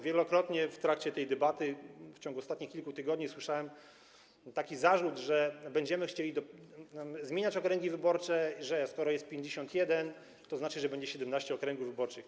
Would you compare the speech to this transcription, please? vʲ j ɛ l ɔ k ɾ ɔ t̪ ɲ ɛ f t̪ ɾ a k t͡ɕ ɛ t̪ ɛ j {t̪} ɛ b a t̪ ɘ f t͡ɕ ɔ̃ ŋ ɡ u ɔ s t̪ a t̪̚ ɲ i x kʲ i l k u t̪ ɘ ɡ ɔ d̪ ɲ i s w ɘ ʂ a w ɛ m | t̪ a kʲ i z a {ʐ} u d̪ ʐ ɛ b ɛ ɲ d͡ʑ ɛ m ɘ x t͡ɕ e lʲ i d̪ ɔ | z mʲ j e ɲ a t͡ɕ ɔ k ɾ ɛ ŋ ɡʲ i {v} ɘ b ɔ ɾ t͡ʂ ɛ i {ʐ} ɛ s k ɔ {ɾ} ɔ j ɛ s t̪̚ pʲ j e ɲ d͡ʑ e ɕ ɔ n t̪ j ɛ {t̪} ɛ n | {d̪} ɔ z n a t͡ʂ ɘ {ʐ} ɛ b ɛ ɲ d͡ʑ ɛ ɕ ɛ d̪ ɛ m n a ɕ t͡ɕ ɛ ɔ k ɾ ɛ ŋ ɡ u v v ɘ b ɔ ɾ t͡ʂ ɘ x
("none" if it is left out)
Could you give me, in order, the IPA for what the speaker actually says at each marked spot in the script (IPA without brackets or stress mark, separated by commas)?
d̪, ʐ, v, ʐ, ɾ, d̪, t̪, ʐ